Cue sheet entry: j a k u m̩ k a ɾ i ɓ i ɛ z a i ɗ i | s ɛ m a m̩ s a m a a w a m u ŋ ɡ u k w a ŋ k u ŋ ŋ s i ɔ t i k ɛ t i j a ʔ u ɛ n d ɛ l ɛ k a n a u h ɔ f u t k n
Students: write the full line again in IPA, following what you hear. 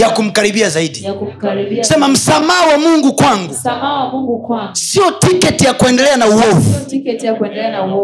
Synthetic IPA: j a k u m̩ k a ɾ i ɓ i a z a i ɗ i | s ɛ m a m̩ s a m a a w a m u ŋ ɡ u k w a ŋ ɡ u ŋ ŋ s i ɔ t i k ɛ t i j a k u ɛ n d ɛ l ɛ a n a u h ɔ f u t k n